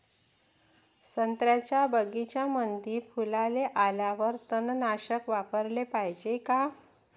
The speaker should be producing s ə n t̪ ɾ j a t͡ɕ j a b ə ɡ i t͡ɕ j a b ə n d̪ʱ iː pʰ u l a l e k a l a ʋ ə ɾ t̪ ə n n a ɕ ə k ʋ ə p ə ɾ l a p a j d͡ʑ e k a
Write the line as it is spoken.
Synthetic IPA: s ə n t̪ ɾ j a t͡ɕ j a b ə ɡ i t͡ɕ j a m ə n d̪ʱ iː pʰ u l a l e ʔ a l a ʋ ə ɾ t̪ ə n n a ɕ ə k ʋ a p ə ɾ l e p a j d͡ʑ e k a